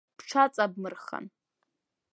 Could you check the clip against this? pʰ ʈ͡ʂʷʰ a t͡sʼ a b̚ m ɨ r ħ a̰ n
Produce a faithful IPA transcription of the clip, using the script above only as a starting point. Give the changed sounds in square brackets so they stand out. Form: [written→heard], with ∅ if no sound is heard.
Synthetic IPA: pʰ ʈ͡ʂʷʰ a t͡sʼ a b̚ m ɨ r [ħ→χ] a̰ n